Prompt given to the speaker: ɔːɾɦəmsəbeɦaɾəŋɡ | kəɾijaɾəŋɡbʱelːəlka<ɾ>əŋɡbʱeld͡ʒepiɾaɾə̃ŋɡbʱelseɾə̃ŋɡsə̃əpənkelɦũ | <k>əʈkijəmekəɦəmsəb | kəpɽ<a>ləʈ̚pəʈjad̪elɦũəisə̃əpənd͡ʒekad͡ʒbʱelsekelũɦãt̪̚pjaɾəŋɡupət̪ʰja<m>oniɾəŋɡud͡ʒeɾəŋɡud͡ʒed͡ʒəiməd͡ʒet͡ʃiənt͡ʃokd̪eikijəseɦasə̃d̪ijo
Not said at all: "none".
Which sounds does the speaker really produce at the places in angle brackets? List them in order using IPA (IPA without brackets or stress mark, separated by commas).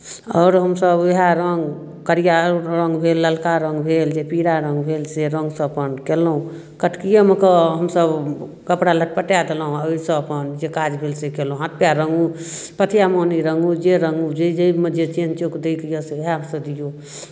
ɾ, k, a, m